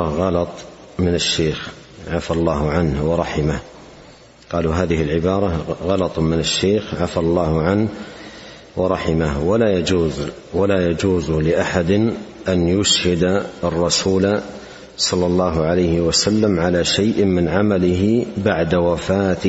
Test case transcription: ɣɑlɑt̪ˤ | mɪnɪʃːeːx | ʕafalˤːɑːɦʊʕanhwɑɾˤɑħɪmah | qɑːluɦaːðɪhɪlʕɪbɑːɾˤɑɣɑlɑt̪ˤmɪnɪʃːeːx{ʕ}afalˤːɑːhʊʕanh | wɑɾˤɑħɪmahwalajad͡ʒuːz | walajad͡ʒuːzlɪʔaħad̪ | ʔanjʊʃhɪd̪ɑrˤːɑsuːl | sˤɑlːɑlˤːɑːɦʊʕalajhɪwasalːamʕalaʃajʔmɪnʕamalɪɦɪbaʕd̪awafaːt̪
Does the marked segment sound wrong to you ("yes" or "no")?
no